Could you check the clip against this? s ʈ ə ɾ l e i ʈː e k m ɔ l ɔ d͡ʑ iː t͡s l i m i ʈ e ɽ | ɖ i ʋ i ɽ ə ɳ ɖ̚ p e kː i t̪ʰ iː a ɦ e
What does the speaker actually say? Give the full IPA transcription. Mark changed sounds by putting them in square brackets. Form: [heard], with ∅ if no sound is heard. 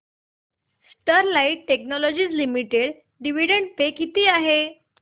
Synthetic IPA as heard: s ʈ ə ɾ l [a] i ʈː e k [n] ɔ l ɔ d͡ʑ iː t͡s l i m i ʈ e ɽ | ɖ i ʋ i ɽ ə ɳ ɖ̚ p e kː i [t̪] iː a ɦ e